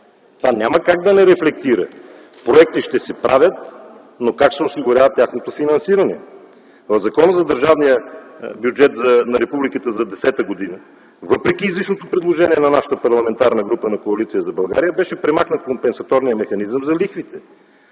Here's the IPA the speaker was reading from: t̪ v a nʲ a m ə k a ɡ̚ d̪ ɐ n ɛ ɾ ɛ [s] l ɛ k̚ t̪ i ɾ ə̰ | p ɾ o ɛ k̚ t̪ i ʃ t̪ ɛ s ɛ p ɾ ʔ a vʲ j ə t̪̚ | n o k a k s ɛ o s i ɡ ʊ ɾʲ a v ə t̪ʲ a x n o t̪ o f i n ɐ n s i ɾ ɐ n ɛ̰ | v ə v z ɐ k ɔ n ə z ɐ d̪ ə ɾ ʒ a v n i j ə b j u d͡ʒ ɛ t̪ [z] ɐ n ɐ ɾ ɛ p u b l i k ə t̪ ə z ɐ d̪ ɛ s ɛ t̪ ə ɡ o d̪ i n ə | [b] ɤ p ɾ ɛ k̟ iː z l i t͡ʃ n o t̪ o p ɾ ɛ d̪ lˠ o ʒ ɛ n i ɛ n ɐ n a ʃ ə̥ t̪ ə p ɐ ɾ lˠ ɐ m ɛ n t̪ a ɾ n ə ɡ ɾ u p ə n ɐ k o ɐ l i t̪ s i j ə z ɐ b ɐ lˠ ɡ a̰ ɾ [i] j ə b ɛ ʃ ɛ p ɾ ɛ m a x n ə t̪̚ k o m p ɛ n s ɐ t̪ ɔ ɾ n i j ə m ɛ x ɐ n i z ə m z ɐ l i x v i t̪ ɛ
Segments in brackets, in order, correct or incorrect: incorrect: f, correct, incorrect: v, correct

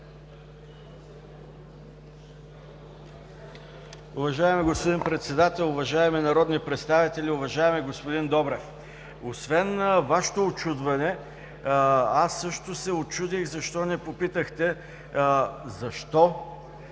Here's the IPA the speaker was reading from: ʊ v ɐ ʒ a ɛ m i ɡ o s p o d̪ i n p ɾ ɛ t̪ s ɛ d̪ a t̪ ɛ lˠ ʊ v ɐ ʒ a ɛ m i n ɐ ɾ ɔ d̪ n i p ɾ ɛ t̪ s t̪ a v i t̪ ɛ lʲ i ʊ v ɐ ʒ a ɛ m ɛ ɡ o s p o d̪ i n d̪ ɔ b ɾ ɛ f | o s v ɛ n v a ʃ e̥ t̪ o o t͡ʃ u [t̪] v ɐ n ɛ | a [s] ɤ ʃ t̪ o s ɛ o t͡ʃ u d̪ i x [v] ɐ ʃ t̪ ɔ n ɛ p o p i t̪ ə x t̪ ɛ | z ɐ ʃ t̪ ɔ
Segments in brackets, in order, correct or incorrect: incorrect: d̪, incorrect: sː, incorrect: z

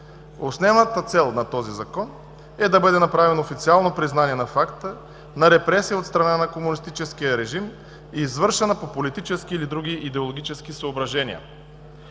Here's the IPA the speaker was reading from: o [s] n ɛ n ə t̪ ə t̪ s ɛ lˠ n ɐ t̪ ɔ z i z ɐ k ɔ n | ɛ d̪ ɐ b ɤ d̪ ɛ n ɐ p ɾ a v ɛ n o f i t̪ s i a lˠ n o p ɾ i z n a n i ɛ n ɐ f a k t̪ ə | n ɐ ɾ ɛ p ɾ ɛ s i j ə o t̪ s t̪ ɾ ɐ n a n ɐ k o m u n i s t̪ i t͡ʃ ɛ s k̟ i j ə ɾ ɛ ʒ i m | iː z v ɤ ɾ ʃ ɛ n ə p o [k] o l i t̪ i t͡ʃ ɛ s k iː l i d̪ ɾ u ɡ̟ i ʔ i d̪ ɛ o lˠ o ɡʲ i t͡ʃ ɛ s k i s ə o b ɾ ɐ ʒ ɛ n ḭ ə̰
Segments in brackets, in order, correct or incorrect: correct, incorrect: p

